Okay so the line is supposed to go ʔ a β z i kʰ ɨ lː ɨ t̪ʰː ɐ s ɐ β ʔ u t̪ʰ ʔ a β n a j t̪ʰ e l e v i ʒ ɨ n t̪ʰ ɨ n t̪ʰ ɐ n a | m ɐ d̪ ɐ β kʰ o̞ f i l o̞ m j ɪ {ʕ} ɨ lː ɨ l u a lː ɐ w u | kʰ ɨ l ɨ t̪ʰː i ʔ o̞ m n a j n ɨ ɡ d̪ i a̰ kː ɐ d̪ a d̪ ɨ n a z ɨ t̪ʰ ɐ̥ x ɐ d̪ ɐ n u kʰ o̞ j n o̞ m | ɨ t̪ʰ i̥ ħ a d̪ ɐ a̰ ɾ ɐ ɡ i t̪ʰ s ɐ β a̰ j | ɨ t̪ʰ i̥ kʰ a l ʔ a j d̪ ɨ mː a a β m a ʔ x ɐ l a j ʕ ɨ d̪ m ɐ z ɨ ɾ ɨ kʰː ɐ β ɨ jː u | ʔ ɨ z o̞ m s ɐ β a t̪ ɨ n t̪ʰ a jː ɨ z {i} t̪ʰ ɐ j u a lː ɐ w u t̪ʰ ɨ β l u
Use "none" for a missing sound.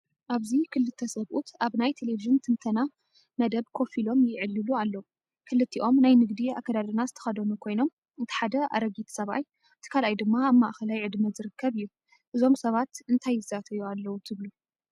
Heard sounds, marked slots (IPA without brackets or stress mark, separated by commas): ʕ, a